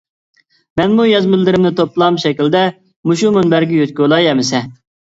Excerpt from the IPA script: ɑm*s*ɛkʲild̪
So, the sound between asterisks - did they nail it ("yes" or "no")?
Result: no